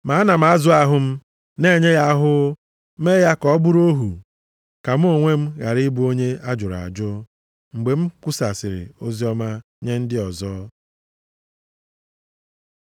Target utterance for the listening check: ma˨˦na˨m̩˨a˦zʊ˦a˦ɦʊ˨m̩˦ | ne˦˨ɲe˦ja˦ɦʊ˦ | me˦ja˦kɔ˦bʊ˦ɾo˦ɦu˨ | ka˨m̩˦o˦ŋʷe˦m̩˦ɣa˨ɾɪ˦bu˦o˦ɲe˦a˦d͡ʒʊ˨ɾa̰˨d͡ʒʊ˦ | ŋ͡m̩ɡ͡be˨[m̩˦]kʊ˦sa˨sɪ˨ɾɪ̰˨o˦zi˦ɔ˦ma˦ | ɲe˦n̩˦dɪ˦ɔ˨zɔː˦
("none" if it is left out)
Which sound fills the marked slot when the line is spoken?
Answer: m̩˦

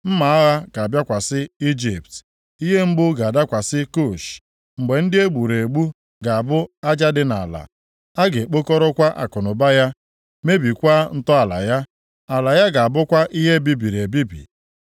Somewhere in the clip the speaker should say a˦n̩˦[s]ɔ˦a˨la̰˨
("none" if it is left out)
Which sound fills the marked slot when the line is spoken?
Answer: t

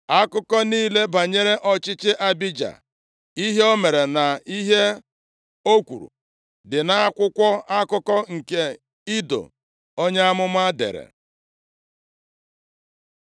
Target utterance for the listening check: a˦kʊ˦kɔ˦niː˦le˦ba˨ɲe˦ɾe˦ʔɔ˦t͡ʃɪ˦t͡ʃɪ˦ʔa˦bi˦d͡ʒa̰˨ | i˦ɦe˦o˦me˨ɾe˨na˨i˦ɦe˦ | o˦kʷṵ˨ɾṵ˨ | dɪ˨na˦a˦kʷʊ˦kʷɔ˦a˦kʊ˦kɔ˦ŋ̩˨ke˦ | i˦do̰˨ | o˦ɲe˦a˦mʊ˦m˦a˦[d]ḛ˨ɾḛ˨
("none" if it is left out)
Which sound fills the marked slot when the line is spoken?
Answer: d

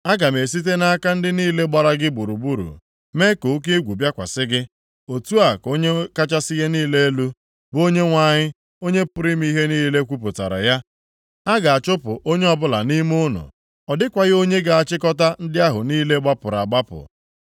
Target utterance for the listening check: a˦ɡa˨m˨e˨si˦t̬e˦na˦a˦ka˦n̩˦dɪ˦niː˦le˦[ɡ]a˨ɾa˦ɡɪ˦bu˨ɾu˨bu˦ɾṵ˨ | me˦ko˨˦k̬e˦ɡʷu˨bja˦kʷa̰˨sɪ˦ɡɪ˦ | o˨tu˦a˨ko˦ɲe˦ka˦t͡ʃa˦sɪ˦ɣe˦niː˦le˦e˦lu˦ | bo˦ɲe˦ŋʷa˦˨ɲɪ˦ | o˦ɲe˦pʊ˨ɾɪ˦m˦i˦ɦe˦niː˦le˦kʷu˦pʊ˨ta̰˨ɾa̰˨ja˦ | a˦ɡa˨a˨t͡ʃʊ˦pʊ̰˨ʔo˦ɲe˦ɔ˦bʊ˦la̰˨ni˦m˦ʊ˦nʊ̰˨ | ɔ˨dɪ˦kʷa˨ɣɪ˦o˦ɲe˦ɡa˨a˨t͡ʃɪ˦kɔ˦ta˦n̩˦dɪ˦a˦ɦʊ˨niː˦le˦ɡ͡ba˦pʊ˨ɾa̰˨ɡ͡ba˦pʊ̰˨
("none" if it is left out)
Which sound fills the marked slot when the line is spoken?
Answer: ɡ͡b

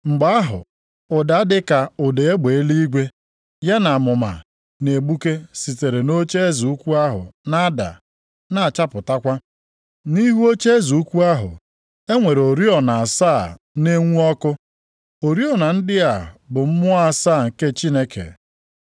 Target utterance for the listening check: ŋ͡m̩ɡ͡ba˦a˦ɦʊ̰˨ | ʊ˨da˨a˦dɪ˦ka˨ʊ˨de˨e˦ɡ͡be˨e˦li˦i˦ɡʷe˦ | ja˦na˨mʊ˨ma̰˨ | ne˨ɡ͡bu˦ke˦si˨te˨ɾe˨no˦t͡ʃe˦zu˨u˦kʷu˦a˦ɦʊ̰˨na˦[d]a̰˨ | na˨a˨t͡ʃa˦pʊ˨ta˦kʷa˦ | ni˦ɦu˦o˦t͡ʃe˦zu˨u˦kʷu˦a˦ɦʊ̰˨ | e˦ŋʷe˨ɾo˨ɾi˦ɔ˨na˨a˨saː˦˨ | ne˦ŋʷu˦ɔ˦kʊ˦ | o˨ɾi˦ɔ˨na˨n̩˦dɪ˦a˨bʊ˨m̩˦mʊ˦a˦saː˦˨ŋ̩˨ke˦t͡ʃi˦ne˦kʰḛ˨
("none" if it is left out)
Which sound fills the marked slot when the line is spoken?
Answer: d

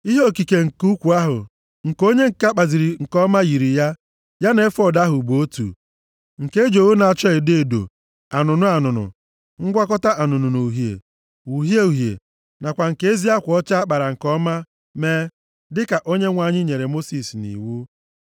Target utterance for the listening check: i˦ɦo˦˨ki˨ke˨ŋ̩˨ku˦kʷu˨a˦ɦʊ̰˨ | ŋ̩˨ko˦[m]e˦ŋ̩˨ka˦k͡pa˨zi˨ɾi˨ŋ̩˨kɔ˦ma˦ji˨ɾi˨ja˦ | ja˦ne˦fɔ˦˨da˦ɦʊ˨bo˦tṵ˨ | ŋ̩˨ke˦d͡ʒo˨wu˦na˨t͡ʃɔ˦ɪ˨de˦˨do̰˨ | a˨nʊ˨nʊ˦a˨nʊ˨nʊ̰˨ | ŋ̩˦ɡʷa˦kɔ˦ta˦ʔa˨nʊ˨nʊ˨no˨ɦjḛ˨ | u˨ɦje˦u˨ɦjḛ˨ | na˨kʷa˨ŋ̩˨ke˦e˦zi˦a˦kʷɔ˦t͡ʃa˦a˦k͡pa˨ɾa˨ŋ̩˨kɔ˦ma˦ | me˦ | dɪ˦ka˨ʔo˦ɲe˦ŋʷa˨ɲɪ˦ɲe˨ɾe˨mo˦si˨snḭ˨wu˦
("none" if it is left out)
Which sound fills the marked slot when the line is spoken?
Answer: ɲ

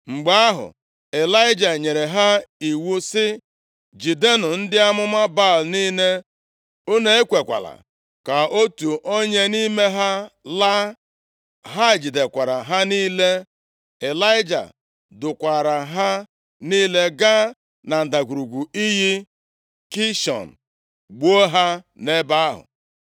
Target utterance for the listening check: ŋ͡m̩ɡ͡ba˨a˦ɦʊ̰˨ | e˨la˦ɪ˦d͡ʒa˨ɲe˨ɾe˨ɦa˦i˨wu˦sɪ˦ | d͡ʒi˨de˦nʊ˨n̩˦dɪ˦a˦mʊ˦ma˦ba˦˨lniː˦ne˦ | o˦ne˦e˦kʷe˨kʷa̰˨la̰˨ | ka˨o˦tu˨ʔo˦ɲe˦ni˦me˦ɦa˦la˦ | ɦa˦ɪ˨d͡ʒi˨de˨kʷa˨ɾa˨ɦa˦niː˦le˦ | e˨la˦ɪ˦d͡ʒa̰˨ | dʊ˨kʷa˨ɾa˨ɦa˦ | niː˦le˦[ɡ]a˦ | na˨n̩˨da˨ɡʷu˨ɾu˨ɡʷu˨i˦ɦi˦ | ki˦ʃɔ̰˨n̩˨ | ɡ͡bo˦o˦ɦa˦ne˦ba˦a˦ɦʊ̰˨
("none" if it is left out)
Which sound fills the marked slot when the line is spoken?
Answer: ɡ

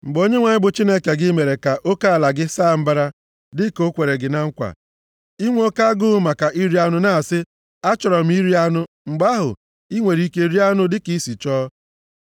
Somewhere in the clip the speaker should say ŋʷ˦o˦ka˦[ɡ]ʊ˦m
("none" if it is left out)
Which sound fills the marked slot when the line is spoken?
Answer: ɡ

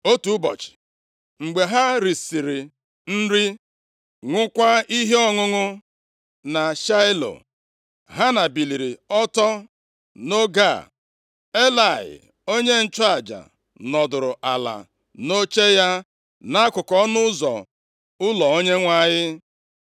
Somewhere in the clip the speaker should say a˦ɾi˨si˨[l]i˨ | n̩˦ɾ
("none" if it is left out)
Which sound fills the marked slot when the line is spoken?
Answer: ɾ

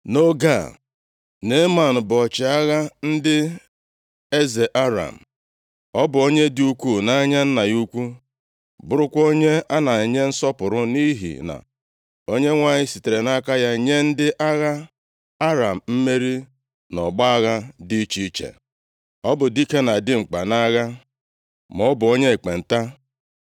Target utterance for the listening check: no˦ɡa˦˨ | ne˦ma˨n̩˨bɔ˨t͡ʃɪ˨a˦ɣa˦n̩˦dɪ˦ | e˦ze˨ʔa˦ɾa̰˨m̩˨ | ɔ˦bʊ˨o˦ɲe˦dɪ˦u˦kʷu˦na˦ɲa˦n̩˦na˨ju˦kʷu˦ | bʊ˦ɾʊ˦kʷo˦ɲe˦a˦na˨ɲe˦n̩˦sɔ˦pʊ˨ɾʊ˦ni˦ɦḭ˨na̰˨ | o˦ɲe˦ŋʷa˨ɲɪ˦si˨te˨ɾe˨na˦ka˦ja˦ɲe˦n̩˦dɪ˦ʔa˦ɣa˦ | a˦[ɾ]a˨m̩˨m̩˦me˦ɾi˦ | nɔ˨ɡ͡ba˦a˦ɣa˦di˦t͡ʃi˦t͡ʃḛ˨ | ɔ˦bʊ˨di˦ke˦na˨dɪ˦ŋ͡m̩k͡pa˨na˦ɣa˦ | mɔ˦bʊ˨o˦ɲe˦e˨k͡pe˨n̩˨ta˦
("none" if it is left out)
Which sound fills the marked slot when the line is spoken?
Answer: ɾ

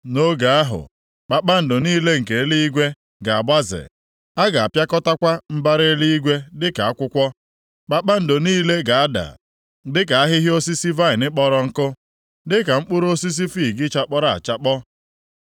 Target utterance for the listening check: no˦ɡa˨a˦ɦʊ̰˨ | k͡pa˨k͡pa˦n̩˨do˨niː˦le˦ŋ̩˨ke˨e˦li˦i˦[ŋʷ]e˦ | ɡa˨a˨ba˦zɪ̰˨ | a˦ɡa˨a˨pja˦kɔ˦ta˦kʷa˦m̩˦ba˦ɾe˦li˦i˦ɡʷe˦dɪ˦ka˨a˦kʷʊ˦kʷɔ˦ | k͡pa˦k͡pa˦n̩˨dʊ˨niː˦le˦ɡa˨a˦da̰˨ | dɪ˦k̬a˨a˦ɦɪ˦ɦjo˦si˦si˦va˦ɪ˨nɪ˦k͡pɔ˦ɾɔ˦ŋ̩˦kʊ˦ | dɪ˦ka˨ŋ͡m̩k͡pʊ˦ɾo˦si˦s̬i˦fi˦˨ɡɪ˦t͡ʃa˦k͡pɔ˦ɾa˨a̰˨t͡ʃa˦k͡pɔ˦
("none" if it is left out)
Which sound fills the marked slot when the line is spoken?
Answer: ɡʷ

